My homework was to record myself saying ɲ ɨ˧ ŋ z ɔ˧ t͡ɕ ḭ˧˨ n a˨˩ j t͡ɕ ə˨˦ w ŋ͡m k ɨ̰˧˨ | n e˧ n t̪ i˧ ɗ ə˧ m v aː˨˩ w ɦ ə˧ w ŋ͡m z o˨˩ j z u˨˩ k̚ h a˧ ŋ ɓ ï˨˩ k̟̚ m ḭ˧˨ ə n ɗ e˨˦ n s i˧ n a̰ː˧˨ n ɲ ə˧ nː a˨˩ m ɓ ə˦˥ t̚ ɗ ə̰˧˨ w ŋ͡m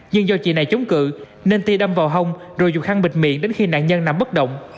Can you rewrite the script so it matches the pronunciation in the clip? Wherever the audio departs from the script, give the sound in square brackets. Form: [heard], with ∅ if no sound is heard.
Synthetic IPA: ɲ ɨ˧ ŋ z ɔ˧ t͡ɕ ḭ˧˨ n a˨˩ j t͡ɕ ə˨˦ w ŋ͡m k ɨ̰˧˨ | n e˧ n t̪ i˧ ɗ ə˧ m v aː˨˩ w ɦ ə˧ w ŋ͡m z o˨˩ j z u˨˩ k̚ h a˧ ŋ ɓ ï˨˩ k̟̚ m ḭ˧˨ ə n ɗ e˨˦ n [x] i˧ n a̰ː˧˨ n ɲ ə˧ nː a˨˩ m ɓ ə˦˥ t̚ ɗ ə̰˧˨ w ŋ͡m